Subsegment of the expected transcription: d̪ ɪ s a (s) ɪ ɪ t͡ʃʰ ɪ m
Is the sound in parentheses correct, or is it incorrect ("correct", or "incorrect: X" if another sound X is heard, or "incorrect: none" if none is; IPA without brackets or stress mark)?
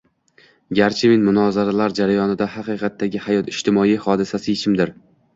correct